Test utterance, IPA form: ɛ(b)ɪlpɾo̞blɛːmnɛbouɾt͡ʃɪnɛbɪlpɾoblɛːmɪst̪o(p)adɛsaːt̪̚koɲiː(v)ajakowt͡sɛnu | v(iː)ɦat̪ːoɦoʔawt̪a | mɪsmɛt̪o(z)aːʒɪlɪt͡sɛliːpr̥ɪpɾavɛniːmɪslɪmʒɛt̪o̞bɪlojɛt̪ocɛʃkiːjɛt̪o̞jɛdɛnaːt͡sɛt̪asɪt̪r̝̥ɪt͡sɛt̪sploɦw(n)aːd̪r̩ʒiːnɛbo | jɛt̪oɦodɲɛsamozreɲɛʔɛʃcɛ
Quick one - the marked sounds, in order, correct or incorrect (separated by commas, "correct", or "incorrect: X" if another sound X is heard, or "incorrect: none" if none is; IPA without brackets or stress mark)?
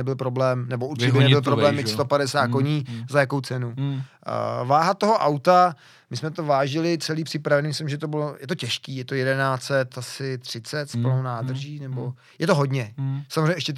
correct, correct, incorrect: z, incorrect: aː, incorrect: v, correct